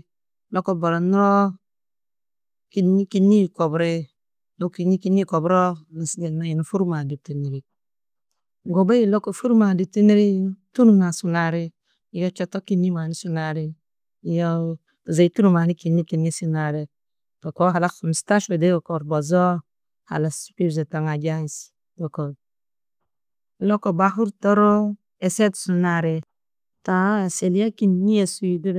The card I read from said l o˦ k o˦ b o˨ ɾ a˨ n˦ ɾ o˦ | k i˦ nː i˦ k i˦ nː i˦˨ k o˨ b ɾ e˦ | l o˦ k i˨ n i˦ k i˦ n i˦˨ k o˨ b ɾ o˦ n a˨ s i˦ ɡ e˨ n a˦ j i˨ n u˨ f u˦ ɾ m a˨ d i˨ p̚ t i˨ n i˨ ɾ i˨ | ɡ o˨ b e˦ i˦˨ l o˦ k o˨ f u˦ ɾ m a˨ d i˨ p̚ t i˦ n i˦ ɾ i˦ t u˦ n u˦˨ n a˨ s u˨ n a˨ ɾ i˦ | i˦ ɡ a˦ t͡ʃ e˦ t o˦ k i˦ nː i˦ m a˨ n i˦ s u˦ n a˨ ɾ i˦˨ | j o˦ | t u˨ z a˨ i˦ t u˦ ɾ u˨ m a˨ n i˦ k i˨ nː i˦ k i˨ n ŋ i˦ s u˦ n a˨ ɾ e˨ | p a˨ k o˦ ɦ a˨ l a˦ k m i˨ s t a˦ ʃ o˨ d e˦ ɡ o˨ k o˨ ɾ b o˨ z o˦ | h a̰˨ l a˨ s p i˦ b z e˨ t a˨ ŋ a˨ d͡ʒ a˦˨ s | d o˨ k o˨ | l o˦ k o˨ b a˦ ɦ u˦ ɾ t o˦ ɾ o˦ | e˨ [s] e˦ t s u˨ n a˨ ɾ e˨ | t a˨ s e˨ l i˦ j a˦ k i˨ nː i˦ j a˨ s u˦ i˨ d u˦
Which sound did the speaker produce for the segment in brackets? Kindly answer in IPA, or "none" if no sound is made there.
s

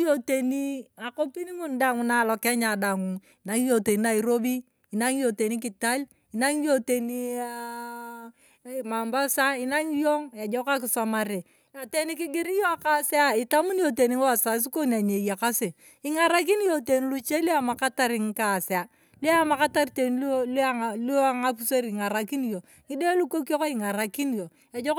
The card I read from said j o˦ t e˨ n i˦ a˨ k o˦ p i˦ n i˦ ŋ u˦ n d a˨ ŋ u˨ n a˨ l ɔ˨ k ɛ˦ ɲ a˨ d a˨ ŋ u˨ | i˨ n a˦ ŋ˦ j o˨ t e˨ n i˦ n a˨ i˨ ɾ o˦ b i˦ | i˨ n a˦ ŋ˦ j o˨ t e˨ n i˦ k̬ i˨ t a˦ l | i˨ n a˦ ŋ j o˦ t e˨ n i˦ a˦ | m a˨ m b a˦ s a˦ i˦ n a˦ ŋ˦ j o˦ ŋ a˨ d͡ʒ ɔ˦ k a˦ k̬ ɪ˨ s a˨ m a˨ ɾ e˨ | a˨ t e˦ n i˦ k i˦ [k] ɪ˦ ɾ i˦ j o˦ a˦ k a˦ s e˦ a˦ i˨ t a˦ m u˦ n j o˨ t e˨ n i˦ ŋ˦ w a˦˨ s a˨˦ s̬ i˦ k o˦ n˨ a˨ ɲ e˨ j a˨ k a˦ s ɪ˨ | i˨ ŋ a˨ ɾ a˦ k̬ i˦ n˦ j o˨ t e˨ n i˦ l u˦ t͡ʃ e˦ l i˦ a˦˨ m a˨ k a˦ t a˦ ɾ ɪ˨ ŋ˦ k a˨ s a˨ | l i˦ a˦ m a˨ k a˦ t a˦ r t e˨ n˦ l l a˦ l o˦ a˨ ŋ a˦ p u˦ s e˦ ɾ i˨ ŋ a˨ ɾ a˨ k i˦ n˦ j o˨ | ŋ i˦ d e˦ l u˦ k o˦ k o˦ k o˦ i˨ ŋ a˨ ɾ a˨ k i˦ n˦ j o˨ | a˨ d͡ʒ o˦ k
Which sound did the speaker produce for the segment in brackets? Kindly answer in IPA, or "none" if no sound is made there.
ɡ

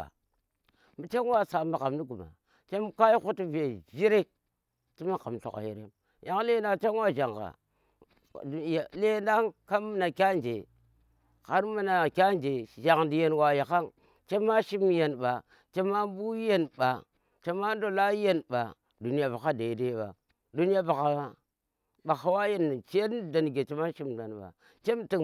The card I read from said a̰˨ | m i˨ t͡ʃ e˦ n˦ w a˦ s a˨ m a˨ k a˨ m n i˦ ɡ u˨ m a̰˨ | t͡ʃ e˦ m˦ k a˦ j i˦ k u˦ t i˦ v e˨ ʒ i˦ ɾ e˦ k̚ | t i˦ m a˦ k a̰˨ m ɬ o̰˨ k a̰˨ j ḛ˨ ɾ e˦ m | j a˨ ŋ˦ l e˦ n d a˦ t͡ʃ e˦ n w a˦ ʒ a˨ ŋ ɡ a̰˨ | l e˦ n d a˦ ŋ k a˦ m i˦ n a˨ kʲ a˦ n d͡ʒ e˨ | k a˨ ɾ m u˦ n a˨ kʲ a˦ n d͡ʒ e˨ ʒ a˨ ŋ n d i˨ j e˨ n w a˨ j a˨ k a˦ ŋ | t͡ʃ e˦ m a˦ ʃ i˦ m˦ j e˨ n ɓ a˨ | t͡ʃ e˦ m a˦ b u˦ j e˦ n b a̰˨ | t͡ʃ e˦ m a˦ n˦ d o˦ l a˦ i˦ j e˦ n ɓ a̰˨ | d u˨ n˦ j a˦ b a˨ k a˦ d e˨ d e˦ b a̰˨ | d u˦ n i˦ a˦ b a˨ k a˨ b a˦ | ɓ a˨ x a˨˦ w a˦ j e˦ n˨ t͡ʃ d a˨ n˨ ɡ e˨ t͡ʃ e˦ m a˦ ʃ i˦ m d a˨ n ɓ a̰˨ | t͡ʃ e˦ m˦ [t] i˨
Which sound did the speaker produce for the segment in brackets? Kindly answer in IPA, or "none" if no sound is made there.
t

